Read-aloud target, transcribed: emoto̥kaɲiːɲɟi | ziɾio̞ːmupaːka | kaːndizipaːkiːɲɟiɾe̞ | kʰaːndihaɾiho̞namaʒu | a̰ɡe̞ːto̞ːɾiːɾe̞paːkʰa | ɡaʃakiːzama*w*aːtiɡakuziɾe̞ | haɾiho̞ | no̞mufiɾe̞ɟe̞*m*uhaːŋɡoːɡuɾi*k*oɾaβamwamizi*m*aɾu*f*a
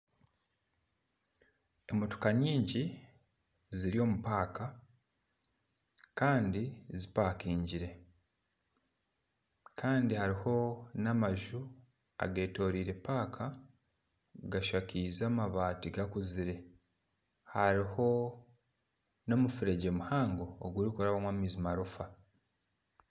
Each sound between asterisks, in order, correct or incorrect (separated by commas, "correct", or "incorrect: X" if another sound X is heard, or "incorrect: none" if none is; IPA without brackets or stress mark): incorrect: β, correct, correct, correct, correct